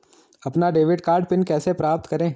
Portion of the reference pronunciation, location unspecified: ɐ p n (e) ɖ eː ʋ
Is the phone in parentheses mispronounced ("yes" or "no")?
yes